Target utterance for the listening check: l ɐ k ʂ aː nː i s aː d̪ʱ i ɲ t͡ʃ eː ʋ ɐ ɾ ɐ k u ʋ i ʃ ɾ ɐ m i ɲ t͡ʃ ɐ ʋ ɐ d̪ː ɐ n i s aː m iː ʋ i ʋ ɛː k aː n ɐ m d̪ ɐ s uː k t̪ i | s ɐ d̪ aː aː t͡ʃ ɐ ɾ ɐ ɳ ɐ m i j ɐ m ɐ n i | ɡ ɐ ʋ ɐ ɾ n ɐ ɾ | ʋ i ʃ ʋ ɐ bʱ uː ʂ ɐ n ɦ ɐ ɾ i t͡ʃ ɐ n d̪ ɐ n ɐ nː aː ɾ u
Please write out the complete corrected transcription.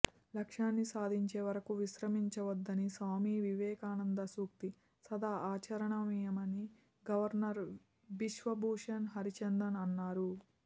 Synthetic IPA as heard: l ɐ k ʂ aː nː i s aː d̪ʱ i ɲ t͡ʃ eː ʋ ɐ ɾ ɐ k u ʋ i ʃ ɾ ɐ m i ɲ t͡ʃ ɐ ʋ ɐ d̪ː ɐ n i s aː m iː ʋ i ʋ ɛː k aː n ɐ n d̪ ɐ s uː k t̪ i | s ɐ d̪ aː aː t͡ʃ ɐ ɾ ɐ ɳ ɐ m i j ɐ m ɐ n i | ɡ ɐ ʋ ɐ ɾ n ɐ ɾ | ʋ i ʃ ʋ ɐ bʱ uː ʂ ɐ n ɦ ɐ ɾ i t͡ʃ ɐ n d̪ ɐ n ɐ nː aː ɾ u